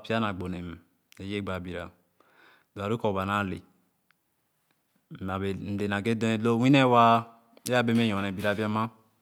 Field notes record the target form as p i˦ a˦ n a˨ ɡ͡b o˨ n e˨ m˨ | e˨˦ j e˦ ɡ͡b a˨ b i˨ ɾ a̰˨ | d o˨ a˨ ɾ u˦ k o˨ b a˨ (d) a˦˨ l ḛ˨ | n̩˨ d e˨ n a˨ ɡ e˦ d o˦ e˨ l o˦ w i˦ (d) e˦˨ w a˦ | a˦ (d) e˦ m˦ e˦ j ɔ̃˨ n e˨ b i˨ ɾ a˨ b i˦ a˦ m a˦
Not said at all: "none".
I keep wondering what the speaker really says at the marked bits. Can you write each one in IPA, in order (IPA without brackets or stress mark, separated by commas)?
n, n, b